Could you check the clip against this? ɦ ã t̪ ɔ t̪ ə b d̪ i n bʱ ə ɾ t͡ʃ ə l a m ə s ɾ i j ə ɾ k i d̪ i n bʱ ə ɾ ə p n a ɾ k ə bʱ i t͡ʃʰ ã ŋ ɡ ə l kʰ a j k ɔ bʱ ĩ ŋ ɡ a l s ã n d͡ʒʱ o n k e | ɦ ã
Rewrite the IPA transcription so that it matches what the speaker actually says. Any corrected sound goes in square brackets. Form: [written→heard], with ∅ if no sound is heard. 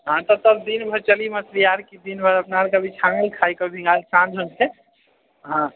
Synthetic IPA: ɦ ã t̪ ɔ t̪ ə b d̪ i n bʱ ə ɾ t͡ʃ ə l [a→i] m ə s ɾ i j [ə→a] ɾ k i d̪ i n bʱ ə ɾ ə p n a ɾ k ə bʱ i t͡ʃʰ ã ŋ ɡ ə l kʰ a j k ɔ bʱ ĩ ŋ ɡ a l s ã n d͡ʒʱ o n k e | ɦ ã